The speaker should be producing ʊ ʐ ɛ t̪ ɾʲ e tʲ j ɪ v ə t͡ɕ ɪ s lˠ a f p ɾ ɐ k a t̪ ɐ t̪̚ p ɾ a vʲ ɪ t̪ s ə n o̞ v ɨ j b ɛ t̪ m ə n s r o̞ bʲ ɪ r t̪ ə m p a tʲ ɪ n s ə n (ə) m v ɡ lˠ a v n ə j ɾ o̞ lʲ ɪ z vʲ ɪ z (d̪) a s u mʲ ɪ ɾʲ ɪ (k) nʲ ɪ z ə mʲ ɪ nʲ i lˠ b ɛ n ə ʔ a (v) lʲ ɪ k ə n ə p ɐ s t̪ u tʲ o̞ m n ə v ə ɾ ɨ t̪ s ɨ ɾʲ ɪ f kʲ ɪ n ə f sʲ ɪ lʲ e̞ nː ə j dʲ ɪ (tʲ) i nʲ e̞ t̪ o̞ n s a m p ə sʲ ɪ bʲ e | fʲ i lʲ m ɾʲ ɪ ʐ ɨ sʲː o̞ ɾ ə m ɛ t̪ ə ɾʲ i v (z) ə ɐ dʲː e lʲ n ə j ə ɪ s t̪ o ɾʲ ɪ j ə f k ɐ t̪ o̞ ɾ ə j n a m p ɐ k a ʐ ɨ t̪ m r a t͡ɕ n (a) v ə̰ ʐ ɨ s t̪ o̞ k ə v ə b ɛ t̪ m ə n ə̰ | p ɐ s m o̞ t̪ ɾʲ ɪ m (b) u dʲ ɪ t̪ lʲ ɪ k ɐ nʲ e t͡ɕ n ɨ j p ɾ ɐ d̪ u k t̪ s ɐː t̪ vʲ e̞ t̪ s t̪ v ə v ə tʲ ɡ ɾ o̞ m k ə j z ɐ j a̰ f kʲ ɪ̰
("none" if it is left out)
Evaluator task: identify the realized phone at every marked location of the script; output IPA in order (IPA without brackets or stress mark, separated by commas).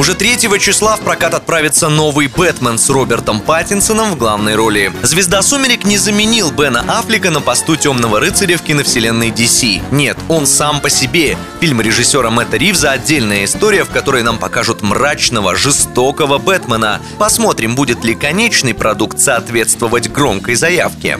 ə, d̪, k, f, sʲ, z, ə, b